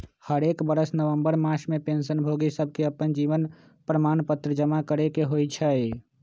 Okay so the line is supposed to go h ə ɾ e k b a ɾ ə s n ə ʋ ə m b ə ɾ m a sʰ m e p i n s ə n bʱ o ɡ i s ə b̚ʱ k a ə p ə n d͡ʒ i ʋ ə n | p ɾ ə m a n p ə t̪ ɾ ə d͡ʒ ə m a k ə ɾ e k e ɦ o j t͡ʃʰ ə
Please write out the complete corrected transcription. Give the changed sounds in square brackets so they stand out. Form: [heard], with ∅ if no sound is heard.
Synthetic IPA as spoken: h ə ɾ e k b [ə] ɾ ə s n ə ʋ ə m b ə ɾ m a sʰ m e p [e] n s ə n bʱ o ɡ i s ə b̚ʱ k [e] ə p ə n d͡ʒ i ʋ ə n | p ɾ ə m a n p ə t̪ ɾ ə d͡ʒ ə m a k ə ɾ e k e ɦ o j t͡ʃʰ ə

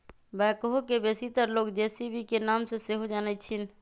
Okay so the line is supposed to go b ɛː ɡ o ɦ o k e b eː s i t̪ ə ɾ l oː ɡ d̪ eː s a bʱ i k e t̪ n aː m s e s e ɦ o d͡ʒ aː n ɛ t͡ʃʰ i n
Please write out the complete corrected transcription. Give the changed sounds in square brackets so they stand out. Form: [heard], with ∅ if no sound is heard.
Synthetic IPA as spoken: b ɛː [k] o ɦ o k e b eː s i t̪ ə ɾ l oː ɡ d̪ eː s [i] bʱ i k e [∅] n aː m s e s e ɦ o d͡ʒ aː n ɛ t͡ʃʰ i n

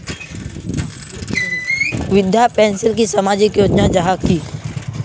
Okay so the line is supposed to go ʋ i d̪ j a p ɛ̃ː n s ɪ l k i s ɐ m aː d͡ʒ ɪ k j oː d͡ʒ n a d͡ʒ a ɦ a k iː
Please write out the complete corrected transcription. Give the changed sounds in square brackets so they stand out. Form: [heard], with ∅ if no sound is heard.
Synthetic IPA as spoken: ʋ [ɪ] d̪ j a p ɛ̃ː n s ɪ l k i s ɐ m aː d͡ʒ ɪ k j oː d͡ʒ n a d͡ʒ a ɦ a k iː

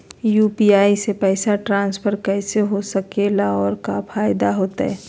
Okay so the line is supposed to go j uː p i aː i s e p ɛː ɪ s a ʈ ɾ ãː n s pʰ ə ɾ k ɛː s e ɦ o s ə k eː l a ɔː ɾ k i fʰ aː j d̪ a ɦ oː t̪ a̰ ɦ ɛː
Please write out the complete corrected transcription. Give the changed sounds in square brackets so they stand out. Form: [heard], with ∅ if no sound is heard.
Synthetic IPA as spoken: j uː p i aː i s e p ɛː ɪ s a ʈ ɾ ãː n s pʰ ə ɾ k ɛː s e ɦ o s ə k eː l a ɔː ɾ k [a] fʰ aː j d̪ a ɦ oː t̪ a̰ ɦ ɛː

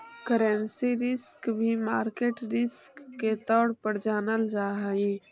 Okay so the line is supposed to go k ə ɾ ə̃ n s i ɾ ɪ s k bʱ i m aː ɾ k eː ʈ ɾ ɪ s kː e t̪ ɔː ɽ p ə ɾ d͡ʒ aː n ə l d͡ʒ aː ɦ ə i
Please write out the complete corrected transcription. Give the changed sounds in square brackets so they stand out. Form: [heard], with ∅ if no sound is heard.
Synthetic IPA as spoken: k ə ɾ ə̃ n s i ɾ ɪ s k bʱ i m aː ɾ k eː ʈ ɾ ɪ s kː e t̪ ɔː ɽ p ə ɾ d͡ʒ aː n ə l d͡ʒ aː ɦ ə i

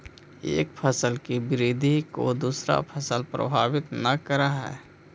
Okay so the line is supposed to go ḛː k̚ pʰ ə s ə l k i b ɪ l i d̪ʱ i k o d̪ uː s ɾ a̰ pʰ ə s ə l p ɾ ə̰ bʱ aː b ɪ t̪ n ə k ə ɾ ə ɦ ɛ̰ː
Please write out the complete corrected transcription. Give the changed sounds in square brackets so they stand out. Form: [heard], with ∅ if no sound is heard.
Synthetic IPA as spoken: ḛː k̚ pʰ ə s ə l k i b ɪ [ɾ] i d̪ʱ i k o d̪ uː s ɾ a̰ pʰ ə s ə l p ɾ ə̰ bʱ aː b ɪ t̪ n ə k ə ɾ [a] ɦ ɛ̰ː

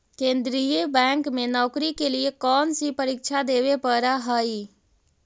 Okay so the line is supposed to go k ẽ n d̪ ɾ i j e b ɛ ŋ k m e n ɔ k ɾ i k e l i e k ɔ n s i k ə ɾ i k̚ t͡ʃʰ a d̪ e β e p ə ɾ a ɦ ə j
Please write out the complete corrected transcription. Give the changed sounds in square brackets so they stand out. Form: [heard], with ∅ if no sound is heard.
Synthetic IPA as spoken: k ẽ n d̪ ɾ i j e b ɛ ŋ k m e n ɔ k ɾ i k e l i e k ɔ n s i [p] ə ɾ i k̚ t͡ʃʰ a d̪ e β e p ə ɾ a ɦ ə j

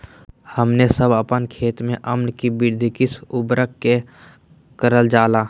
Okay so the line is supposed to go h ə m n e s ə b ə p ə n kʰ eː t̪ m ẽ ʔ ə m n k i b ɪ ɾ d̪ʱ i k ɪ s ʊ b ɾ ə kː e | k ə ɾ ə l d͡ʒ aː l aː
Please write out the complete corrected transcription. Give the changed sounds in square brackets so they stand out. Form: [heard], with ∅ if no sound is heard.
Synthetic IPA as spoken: h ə m n e s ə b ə p ə n kʰ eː t̪ m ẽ ʔ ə m n k i b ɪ ɾ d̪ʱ i k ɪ s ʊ b ɾ ə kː e | k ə ɾ ə l d͡ʒ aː l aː

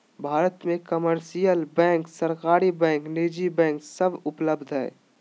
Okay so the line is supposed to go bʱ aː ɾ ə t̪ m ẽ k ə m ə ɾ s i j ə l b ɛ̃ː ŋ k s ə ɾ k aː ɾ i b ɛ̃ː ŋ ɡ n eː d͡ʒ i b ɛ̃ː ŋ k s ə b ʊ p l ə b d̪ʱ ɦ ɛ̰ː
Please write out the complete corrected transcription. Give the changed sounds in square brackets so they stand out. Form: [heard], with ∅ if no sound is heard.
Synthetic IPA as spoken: bʱ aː ɾ ə t̪ m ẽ k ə m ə ɾ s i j ə l b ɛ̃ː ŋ k s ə ɾ k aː ɾ i b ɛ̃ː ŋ [k] n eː d͡ʒ i b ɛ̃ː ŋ k s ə b ʊ p l ə b d̪ʱ ɦ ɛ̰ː

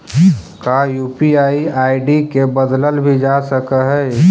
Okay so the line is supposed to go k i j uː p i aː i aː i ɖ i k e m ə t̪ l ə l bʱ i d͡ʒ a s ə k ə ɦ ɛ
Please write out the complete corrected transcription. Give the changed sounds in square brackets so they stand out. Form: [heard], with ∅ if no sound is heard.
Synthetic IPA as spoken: k [a] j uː p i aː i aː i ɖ i k e [b] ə [d̪] l ə l bʱ i d͡ʒ a s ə k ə ɦ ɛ

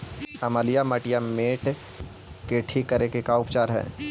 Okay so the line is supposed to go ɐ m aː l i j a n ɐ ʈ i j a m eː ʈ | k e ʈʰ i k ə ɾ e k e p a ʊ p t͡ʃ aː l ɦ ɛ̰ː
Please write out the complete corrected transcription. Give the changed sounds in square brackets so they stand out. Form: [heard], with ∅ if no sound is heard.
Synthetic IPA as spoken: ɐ m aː l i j a [m] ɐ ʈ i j a m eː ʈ | k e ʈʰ i k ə ɾ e k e [k] a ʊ p t͡ʃ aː [ɾ] ɦ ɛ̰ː

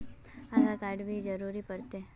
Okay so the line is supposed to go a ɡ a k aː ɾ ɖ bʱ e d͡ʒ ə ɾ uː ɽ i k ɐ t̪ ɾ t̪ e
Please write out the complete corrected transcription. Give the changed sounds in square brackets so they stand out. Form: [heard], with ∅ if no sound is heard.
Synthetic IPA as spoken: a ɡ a k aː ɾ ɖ bʱ [i] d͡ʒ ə ɾ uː [ɾ] i [p] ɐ [∅] ɾ t̪ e

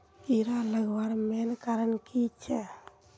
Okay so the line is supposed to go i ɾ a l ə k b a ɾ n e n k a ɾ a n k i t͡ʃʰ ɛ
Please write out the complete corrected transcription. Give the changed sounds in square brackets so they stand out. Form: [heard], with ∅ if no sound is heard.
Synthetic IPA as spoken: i ɾ a l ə [ɡ] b a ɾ [m] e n k a ɾ [ə] n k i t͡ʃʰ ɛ

